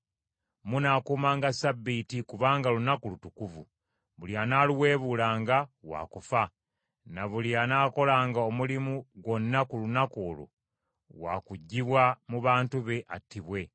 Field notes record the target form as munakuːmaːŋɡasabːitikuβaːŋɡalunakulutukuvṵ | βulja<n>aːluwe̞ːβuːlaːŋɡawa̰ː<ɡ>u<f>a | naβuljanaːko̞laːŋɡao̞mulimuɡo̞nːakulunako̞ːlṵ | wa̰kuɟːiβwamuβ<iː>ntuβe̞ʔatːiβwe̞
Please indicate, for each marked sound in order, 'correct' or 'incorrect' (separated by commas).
correct, incorrect, correct, incorrect